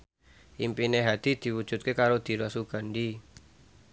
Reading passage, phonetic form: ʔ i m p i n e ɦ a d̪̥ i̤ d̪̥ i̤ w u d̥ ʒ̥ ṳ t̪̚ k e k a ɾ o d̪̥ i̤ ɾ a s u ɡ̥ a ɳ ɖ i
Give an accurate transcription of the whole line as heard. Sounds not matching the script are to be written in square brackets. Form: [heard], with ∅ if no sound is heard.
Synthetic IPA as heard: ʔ i m p i n e ɦ a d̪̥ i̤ d̪̥ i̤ w u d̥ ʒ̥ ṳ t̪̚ k e k a ɾ o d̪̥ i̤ ɾ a s u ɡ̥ a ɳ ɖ i